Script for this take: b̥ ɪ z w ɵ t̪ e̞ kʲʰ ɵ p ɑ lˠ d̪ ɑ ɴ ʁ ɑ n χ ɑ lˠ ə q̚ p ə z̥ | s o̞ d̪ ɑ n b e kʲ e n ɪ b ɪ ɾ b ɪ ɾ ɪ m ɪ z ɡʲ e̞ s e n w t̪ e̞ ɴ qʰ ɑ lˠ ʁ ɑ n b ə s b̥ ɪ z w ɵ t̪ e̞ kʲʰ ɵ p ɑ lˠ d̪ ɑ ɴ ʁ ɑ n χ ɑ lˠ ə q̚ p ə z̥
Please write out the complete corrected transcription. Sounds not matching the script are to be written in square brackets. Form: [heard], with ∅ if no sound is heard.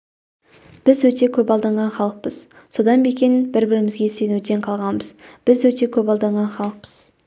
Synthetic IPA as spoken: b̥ ɪ z w ɵ t̪ e̞ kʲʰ ɵ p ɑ lˠ d̪ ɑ ɴ ʁ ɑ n χ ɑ lˠ ə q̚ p ə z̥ | s o̞ d̪ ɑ n b e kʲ e n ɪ b ɪ ɾ b ɪ ɾ ɪ m ɪ z ɡʲ e̞ s e n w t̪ e̞ ɴ qʰ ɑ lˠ ʁ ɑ n b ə [z] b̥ ɪ z w ɵ t̪ e̞ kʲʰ ɵ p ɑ lˠ d̪ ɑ ɴ ʁ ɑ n χ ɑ lˠ ə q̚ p ə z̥

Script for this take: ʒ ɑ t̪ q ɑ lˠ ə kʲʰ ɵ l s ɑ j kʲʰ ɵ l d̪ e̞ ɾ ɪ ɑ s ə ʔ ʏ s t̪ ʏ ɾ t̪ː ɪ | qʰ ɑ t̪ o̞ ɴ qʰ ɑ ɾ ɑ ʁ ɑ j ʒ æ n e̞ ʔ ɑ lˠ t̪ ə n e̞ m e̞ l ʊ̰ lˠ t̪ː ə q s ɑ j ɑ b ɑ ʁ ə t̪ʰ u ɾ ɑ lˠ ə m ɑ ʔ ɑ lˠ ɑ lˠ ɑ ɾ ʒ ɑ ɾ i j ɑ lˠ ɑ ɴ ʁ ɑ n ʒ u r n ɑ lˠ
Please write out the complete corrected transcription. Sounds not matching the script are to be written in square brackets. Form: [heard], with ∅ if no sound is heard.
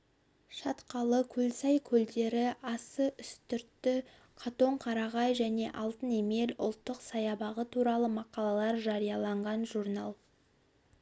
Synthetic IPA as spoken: [ʃ] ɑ t̪ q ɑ lˠ ə kʲʰ ɵ l s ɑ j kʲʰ ɵ l d̪ e̞ ɾ ɪ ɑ s ə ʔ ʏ s t̪ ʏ ɾ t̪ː ɪ | qʰ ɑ t̪ o̞ ɴ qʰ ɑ ɾ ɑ ʁ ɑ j ʒ æ n e̞ ʔ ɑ lˠ t̪ ə n e̞ m e̞ l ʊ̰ lˠ t̪ː ə q s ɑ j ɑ b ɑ ʁ ə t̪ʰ u ɾ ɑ lˠ ə m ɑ [q] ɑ lˠ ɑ lˠ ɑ ɾ ʒ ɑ ɾ i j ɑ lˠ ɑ ɴ ʁ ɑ n ʒ u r n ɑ lˠ

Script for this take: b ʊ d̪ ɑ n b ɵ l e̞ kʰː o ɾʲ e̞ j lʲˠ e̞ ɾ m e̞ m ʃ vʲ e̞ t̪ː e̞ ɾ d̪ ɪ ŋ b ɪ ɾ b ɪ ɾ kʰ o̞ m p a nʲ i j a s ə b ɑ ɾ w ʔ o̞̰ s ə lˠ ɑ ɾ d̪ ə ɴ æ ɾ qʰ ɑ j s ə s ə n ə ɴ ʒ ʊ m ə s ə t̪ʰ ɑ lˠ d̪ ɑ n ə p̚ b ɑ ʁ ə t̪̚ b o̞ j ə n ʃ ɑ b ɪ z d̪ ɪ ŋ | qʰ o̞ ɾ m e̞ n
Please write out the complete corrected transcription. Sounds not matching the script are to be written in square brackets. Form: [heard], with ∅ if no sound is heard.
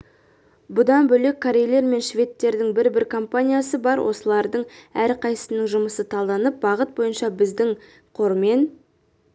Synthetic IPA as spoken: b ʊ d̪ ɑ n b ɵ l e̞ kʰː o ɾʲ e̞ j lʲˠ e̞ ɾ m e̞ [n] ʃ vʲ e̞ t̪ː e̞ ɾ d̪ ɪ ŋ b ɪ ɾ b ɪ ɾ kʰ o̞ m p a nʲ i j a s ə b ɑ ɾ w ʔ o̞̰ s ə lˠ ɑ ɾ d̪ ə ɴ æ ɾ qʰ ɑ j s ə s ə n ə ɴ ʒ ʊ m ə s ə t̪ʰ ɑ lˠ d̪ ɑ n ə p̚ b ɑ ʁ ə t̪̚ b o̞ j ə n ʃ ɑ b ɪ z d̪ ɪ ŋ | qʰ o̞ ɾ m e̞ n

